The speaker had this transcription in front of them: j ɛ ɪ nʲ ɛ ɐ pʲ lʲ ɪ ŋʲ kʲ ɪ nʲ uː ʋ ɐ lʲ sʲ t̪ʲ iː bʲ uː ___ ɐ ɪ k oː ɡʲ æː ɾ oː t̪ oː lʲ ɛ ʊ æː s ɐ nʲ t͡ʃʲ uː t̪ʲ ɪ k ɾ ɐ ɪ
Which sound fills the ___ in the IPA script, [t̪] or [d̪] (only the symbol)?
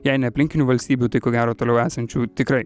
t̪